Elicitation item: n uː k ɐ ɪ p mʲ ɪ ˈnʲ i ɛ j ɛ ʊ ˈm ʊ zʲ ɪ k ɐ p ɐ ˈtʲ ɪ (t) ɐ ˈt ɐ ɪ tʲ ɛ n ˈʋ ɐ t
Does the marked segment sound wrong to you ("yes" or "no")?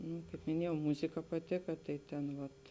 yes